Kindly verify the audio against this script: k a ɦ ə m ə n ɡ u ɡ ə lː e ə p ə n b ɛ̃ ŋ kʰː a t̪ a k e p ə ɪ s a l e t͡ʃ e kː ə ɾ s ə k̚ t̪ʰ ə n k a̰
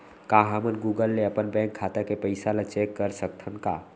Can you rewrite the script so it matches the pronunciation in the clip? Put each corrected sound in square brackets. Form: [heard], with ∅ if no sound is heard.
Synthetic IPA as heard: k a ɦ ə m ə n ɡ u ɡ ə lː e ə p ə n b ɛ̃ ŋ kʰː a t̪ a k e p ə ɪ s a l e t͡ʃ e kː ə ɾ s ə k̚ t̪ʰ ə n k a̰